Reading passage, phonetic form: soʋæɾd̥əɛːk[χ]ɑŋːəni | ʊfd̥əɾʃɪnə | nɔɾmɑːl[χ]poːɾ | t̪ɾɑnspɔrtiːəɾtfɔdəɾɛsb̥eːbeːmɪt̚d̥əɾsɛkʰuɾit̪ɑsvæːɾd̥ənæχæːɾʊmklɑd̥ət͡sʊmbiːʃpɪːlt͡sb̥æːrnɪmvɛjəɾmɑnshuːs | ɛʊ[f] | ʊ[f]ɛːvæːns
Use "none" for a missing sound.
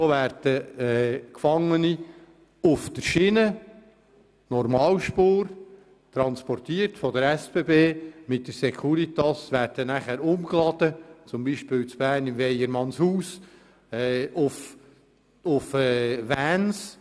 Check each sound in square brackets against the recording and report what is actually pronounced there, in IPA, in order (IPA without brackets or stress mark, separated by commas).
f, ʃ, f, f